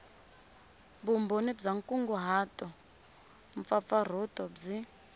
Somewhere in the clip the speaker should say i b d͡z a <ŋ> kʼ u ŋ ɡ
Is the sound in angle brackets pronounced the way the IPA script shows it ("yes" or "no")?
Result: yes